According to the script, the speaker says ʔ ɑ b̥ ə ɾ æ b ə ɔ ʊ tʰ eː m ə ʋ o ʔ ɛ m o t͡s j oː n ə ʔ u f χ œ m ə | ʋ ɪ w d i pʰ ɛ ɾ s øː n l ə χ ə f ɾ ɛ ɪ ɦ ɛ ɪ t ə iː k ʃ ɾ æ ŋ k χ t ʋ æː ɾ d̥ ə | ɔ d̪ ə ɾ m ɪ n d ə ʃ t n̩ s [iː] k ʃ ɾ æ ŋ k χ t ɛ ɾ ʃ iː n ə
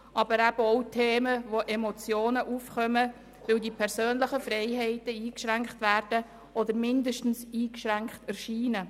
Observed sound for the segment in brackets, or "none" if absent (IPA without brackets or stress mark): iː